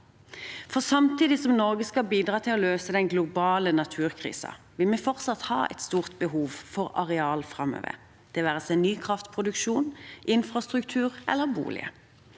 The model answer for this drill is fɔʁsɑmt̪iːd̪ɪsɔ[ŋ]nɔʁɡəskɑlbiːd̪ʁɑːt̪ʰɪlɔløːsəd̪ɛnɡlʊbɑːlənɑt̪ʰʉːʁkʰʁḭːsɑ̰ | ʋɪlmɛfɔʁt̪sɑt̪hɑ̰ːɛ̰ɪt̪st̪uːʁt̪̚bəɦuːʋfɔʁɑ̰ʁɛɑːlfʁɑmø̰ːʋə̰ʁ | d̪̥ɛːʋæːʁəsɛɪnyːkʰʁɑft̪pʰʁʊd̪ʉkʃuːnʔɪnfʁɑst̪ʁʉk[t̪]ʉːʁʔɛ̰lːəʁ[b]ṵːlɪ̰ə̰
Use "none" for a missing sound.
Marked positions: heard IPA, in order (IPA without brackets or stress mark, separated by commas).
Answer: m, t̪ʰ, b